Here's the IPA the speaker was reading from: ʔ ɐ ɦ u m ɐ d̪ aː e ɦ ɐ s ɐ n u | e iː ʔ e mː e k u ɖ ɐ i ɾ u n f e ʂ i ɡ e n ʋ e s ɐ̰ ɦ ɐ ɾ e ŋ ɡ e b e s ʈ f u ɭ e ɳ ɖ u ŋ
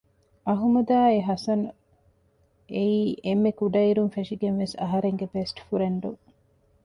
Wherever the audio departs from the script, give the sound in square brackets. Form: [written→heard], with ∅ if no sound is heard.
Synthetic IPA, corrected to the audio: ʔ ɐ ɦ u m ɐ d̪ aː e ɦ ɐ s ɐ n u | e iː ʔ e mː e k u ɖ ɐ i ɾ u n f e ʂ i ɡ e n ʋ e s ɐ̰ ɦ ɐ ɾ e ŋ ɡ e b e s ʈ f u [ɭ→ɾ] e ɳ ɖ u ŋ